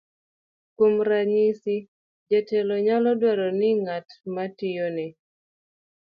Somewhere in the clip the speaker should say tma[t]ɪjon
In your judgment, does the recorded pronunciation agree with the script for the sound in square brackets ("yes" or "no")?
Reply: yes